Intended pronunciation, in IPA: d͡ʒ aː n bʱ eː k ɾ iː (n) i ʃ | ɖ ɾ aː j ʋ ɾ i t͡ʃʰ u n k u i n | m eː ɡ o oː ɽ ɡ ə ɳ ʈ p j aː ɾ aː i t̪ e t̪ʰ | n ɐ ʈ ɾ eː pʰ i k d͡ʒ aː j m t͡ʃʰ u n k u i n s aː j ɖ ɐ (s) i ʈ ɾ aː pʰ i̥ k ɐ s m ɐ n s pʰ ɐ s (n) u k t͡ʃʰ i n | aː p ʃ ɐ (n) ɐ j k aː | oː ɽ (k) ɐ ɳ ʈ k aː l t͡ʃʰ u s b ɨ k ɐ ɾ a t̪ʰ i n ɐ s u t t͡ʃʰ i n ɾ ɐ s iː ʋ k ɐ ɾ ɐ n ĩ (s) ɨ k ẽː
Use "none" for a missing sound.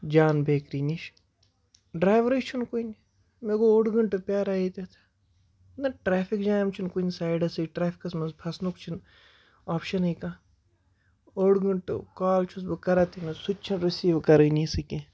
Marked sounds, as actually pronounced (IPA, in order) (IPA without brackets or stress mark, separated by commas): n, s, n, n, ɡ, s